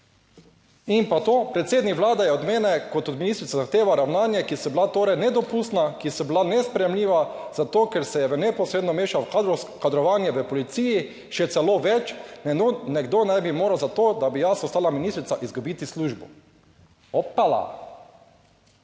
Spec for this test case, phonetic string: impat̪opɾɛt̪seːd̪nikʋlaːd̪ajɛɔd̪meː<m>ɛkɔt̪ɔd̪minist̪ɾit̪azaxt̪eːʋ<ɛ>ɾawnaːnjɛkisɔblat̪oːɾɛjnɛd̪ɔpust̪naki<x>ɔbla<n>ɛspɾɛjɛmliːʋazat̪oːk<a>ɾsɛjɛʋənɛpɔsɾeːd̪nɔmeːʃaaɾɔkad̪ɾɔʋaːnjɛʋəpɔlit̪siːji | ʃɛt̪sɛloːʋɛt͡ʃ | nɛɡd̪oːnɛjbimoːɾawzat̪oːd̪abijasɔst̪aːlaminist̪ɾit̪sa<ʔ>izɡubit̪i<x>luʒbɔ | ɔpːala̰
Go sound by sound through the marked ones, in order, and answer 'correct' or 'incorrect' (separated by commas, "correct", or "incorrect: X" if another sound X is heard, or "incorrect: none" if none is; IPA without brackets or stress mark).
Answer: incorrect: n, incorrect: a, incorrect: s, correct, incorrect: ɛ, correct, incorrect: s